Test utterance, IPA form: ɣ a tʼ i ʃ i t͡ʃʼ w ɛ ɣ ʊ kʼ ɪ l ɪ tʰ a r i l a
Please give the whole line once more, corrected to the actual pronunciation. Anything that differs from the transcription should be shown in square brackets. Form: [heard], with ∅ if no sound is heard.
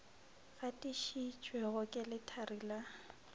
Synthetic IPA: ɣ a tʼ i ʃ i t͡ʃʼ w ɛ ɣ ʊ kʼ ɪ l ɪ tʰ a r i l a